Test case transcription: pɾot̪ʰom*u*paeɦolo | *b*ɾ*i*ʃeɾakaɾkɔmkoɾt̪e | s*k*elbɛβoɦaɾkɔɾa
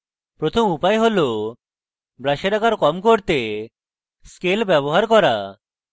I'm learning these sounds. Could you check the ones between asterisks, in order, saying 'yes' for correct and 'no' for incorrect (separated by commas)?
yes, yes, no, yes